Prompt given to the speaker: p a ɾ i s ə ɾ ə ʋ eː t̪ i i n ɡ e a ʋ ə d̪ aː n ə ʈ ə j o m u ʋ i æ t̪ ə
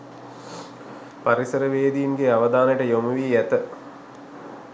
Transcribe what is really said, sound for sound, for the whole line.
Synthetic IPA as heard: p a ɾ i s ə ɾ ə ʋ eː d̪ i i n ɡ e a ʋ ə d̪ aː n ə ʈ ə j o m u ʋ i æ t̪ ə

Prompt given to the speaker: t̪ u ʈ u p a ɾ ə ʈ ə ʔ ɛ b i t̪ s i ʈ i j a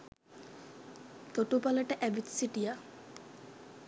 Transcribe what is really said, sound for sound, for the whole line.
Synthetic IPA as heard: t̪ o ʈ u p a l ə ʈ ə ʔ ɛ b i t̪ s i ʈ i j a

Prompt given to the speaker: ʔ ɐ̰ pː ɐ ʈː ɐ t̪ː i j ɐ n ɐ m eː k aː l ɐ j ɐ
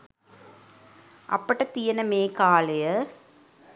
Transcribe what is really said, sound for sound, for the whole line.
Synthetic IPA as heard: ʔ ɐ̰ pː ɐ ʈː ɐ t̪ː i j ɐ n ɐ m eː k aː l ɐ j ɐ

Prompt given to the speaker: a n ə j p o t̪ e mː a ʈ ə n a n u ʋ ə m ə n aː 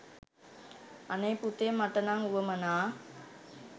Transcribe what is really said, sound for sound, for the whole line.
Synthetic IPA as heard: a n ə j p u t̪ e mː a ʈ ə n a ŋ u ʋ ə m ə n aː

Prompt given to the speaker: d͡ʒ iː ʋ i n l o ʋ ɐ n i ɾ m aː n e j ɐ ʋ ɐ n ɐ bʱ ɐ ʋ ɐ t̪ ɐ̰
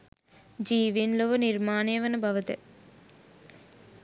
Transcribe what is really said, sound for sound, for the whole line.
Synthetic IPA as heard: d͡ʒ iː ʋ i n l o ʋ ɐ n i ɾ m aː n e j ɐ ʋ ɐ n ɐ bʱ ɐ ʋ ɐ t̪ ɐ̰

